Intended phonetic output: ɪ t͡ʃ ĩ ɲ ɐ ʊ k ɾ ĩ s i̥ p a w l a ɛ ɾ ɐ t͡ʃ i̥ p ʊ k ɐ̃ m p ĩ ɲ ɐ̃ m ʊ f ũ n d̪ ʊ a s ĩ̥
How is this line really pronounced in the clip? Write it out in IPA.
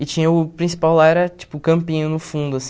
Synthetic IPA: ɪ t͡ʃ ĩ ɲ ɐ ʊ p ɾ ĩ s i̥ p a w l a ɛ ɾ ɐ t͡ʃ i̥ p ʊ k ɐ̃ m p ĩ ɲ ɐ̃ n ʊ f ũ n d̪ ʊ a s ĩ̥